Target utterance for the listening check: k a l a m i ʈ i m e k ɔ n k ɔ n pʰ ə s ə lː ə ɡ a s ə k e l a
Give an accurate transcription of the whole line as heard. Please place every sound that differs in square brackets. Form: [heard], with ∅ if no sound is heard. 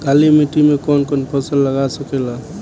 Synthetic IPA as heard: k a l [i] m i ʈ i m e k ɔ n k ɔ n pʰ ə s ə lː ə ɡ a s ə k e l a